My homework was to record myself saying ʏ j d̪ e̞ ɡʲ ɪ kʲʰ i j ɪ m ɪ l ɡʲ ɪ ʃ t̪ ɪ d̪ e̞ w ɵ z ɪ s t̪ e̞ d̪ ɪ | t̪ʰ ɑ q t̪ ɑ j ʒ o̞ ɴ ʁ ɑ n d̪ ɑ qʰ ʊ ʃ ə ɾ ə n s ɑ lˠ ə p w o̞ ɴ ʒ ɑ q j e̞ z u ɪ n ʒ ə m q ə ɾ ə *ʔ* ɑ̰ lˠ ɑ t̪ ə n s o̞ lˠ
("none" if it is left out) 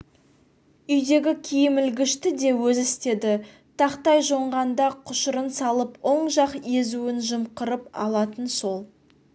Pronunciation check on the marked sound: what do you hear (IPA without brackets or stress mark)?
p